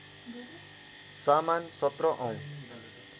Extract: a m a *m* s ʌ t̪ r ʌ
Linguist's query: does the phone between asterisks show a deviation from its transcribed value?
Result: yes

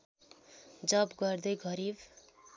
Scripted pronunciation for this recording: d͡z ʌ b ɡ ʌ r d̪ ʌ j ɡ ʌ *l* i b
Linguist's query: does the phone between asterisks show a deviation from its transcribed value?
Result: yes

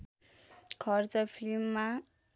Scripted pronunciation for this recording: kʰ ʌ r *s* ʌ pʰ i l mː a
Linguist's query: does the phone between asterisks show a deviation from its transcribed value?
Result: yes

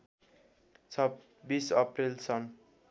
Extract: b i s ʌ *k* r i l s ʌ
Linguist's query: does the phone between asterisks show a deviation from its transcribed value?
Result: yes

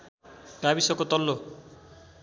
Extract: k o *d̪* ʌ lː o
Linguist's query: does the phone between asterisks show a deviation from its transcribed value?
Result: yes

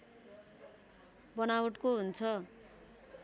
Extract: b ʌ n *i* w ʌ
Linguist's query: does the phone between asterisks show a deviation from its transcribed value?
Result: yes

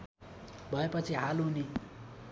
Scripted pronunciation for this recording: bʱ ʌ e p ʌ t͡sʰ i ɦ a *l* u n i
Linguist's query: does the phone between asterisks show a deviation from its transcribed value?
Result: no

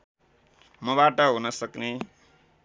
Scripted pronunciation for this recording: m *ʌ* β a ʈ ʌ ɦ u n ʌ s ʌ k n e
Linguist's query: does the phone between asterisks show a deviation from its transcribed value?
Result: no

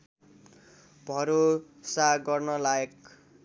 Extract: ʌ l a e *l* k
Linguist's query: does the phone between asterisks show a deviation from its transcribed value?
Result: yes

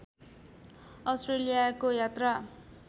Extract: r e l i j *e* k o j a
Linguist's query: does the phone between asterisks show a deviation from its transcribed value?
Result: yes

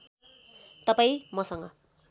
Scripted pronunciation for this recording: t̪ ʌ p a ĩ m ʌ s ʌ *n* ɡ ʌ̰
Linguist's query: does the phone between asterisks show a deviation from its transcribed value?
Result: yes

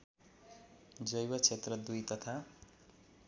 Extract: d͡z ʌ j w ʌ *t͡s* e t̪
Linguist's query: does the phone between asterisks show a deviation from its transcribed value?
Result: yes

